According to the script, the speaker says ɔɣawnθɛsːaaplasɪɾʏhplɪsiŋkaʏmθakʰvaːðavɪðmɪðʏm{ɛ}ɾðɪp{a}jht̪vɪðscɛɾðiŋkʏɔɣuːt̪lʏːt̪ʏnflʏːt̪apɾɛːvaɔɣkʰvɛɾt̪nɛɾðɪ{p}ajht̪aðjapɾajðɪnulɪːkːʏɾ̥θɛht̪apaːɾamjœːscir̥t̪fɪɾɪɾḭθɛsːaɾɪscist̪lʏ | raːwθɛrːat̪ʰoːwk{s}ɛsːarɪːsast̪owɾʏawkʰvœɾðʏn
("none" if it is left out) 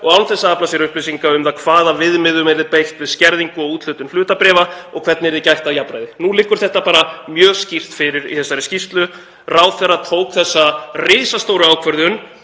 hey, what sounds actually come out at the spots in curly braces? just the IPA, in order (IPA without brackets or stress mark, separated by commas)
ɛ, e, c, θ